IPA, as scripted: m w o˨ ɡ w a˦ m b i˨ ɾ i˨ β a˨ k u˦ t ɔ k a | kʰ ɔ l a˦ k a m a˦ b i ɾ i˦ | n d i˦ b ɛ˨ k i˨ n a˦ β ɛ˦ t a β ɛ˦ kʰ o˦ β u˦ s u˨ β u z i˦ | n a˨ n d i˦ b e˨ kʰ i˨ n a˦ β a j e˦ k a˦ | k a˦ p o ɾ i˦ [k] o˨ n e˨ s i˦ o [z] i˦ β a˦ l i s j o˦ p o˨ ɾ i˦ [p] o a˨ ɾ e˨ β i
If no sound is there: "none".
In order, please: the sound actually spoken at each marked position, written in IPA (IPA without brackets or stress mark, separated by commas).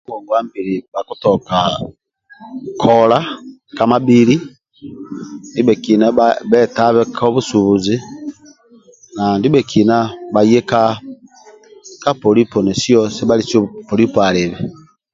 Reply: p, s, p